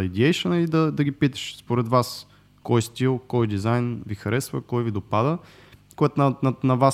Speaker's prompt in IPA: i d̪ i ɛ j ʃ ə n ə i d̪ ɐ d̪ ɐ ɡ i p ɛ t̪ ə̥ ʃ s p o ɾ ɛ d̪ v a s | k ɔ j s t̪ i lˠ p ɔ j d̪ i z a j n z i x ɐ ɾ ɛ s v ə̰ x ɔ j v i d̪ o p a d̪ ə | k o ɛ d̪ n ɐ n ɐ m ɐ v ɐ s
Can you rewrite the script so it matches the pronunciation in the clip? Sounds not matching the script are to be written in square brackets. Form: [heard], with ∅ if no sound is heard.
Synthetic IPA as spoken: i d̪ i ɛ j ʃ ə n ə i d̪ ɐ d̪ ɐ ɡ i p [i] t̪ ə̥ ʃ s p o ɾ ɛ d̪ v a s | k ɔ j s t̪ i lˠ [k] ɔ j d̪ i z a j n [v] i x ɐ ɾ ɛ s v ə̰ [k] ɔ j v i d̪ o p a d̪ ə | k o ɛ [t̪] n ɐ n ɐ [n] ɐ v [a] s